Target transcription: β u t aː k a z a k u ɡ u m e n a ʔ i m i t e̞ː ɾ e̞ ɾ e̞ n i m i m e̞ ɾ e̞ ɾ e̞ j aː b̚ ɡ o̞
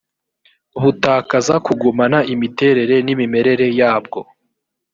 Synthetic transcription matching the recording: β u t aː k a z a k u ɡ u m a n a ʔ i m i t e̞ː ɾ e̞ ɾ e̞ n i m i m e̞ ɾ e̞ ɾ e̞ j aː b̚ ɡ o̞